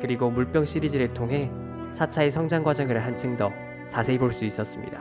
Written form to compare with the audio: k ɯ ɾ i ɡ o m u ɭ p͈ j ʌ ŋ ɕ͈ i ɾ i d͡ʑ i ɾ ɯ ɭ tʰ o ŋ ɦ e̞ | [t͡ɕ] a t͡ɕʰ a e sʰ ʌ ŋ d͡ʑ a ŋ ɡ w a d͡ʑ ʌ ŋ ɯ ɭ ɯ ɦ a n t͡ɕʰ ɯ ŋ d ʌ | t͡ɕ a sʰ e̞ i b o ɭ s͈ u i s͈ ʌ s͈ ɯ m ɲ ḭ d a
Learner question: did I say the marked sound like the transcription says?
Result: no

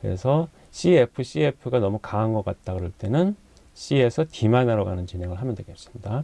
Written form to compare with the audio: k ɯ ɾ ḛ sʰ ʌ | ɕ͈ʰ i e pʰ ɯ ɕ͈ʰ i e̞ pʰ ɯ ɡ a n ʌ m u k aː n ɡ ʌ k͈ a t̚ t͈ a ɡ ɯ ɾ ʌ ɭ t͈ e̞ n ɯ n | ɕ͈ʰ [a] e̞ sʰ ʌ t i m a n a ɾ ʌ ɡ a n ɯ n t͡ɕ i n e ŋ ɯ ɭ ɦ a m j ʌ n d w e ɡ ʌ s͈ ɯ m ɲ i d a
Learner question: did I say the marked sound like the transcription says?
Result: no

